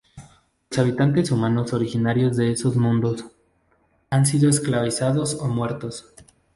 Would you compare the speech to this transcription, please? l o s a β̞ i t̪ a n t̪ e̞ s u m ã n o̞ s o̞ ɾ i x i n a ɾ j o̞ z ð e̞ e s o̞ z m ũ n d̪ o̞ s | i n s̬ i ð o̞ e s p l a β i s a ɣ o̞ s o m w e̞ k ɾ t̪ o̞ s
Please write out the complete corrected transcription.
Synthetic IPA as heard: l o s a β̞ i t̪ a n t̪ e̞ s u m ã n o̞ s o̞ ɾ i x i n a ɾ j o̞ z ð e̞ e s o̞ z m ũ n d̪ o̞ s | a n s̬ i ð o̞ e s k l a β i s a ð o̞ s o m w e̞ ɾ t̪ o̞ s